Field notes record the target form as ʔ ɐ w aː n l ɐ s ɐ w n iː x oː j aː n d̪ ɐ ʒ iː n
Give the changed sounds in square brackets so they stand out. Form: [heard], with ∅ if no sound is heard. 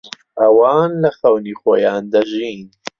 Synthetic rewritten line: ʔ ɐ w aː n l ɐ [x] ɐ w n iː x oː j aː n d̪ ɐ ʒ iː n